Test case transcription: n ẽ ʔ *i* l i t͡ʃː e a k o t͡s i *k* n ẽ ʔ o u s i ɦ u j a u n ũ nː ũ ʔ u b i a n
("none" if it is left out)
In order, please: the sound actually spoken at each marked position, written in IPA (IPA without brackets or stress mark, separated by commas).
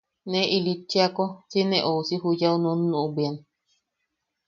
i, none